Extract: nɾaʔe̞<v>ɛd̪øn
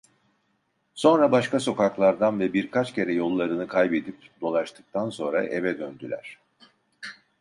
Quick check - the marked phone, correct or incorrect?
correct